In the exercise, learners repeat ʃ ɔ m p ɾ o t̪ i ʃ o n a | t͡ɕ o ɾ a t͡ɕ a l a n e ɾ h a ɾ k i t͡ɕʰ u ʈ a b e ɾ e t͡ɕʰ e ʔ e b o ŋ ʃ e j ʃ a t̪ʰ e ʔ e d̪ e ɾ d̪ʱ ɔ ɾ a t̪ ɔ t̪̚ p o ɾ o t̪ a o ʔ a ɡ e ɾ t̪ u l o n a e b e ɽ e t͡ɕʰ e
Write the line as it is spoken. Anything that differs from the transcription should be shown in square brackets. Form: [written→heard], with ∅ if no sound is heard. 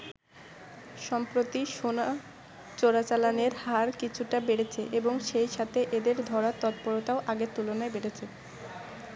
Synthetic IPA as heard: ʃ ɔ m p ɾ o t̪ i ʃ o n a | t͡ɕ o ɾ a t͡ɕ a l a n e ɾ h a ɾ k i t͡ɕʰ u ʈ a b e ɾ e t͡ɕʰ e ʔ e b o ŋ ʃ e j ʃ a t̪ʰ e ʔ e d̪ e ɾ d̪ʱ ɔ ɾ a t̪ ɔ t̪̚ p o ɾ o t̪ a o ʔ a ɡ e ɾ t̪ u l o n a e b e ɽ e t͡ɕʰ e